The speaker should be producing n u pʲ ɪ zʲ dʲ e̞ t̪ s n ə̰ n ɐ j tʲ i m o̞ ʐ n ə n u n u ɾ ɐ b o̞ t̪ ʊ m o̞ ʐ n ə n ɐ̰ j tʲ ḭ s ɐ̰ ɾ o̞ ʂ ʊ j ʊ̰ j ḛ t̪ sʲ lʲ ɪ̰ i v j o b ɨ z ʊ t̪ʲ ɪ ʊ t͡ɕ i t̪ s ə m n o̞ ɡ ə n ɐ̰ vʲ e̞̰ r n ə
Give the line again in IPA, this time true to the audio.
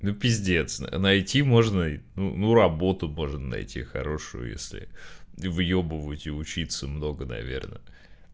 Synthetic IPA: n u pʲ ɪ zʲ dʲ e̞ t̪ s n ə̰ n ɐ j tʲ i m o̞ ʐ n ə n u n u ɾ ɐ b o̞ t̪ ʊ m o̞ ʐ n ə n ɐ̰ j tʲ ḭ x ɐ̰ ɾ o̞ ʂ ʊ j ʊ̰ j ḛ sʲ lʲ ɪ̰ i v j o b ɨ v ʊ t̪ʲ ɪ ʊ t͡ɕ i t̪ s ə m n o̞ ɡ ə n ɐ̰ vʲ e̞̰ r n ə